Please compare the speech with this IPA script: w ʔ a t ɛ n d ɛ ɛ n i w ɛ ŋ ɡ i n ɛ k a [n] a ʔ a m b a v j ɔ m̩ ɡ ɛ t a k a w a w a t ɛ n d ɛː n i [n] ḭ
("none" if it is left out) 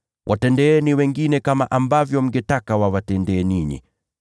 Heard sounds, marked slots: m, ɲ

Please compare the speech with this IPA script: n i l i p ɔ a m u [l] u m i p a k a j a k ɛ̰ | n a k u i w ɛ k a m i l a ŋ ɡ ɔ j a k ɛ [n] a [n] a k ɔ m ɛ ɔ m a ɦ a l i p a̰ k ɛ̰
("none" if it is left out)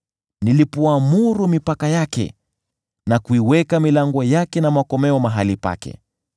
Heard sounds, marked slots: ɾ, n, m

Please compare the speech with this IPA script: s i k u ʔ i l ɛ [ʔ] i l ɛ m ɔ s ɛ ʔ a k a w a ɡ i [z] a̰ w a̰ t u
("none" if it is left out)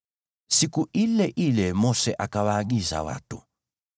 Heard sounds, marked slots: ʔ, z

